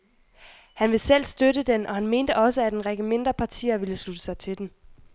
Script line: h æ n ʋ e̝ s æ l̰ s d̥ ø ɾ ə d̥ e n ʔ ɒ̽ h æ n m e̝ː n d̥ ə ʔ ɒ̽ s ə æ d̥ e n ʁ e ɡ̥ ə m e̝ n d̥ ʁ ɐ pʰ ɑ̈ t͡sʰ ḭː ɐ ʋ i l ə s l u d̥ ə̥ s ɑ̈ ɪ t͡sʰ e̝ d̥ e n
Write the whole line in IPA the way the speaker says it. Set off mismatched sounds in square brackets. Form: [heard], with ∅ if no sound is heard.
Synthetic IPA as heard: h æ n ʋ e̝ s [e] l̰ s d̥ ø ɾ ə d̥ e n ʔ ɒ̽ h æ n m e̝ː n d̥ ə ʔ ɒ̽ s ə æ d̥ e n ʁ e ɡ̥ ə m e̝ n d̥ ʁ ɐ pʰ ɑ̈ t͡sʰ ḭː ɐ ʋ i l ə s l u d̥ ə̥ s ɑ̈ ɪ t͡sʰ e̝ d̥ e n